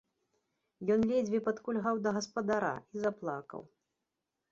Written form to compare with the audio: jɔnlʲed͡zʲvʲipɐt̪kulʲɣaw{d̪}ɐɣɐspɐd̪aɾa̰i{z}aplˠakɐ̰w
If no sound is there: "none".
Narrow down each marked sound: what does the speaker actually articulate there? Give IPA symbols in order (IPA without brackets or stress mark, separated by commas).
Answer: d̪, z